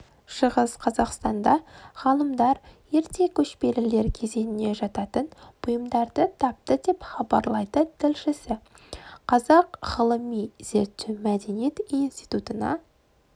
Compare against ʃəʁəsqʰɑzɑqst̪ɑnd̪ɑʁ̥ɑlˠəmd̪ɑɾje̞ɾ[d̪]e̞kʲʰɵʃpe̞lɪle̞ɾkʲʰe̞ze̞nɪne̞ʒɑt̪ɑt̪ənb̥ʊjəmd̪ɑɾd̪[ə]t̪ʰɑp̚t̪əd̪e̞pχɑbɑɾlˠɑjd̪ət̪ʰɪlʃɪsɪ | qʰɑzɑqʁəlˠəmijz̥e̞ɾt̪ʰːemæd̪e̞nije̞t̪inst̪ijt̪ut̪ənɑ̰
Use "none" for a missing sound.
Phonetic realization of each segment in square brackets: t̪, ə

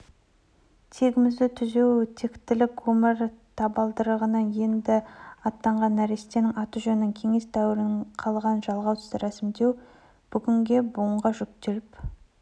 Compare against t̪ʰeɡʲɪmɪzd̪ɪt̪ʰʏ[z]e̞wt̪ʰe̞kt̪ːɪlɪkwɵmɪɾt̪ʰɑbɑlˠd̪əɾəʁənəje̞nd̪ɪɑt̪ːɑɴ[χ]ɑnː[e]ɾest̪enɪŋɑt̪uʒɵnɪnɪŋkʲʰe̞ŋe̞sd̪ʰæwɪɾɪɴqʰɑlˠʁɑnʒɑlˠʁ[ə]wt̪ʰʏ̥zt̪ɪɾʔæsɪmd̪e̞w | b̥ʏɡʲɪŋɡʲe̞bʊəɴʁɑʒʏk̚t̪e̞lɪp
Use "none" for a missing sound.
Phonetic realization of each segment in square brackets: z, ʁ, æ, ɑ

